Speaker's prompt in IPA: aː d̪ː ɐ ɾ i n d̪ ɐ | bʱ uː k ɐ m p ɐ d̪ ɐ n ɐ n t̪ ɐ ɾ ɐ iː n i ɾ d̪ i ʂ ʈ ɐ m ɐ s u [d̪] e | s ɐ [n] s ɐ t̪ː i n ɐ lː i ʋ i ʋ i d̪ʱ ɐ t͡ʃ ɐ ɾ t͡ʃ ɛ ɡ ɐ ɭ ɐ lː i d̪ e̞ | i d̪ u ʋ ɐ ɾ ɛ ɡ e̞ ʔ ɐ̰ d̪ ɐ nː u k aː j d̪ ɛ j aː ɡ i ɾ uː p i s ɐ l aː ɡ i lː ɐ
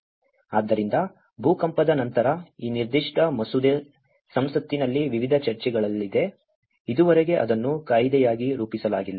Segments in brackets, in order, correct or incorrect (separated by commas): correct, incorrect